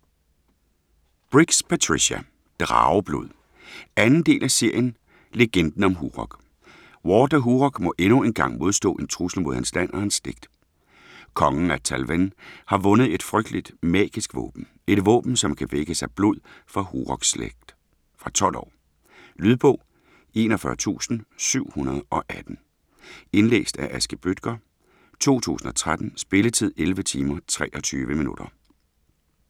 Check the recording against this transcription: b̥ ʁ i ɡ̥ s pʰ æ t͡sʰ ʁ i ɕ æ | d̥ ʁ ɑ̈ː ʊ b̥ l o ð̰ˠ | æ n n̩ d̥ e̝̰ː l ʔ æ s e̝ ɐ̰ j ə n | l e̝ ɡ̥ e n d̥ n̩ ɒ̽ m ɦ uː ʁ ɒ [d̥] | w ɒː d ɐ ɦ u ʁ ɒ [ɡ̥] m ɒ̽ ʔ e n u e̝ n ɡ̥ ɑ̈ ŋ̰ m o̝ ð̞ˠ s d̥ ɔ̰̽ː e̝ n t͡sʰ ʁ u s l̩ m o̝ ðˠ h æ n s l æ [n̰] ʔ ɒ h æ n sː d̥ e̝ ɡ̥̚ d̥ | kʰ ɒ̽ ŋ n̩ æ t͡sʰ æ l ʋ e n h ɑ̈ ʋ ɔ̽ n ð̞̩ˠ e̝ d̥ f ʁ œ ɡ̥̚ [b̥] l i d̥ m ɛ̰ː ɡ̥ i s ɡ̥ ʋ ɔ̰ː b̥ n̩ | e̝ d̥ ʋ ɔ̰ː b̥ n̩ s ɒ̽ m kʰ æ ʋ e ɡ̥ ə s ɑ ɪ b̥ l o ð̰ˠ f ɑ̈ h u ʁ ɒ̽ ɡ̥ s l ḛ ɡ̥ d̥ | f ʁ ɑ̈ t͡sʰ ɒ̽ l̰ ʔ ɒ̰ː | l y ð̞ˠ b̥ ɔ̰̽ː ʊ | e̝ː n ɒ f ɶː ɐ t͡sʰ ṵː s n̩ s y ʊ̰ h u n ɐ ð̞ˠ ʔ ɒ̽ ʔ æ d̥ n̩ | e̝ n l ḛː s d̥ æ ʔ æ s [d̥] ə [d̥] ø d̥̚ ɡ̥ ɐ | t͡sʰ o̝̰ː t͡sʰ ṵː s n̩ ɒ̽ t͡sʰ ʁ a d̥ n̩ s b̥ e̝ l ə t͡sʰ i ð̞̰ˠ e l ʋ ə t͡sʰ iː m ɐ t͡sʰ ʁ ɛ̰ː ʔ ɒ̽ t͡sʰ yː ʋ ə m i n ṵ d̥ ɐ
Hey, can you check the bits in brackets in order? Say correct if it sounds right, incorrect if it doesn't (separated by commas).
incorrect, correct, correct, incorrect, incorrect, incorrect